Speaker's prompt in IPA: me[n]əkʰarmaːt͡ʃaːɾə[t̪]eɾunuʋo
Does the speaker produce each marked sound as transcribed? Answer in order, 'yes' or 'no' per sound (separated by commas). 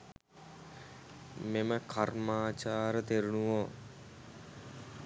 no, yes